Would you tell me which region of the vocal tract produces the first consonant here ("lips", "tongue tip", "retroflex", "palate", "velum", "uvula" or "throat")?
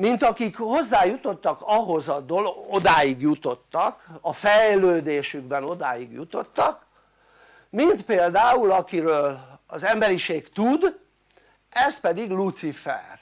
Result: lips